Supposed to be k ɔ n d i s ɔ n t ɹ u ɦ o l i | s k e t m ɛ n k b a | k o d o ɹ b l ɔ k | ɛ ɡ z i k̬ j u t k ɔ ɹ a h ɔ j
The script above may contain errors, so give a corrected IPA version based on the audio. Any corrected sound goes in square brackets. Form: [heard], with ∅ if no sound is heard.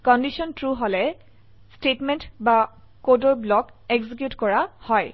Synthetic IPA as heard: k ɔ n d i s ɔ n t ɹ u ɦ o l [ɛ] | s [t] e t m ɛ n [t] b a | k o d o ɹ b l ɔ k | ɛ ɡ z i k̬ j u t k ɔ ɹ a h ɔ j